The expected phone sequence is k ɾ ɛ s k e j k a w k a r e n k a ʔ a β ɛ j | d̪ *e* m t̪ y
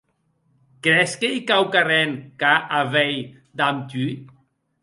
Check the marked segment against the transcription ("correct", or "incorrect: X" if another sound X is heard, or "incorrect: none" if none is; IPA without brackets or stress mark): incorrect: a